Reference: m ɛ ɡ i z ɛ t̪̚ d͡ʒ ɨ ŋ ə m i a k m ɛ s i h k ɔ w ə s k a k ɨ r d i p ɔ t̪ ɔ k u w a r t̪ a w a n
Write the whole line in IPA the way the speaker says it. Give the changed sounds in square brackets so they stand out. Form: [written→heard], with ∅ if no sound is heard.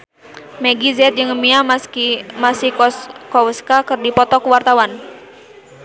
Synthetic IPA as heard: m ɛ ɡ i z ɛ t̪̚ d͡ʒ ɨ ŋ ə m i a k m [ɛ→a] s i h k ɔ w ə s k a k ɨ r d i p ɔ t̪ ɔ k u w a r t̪ a w a n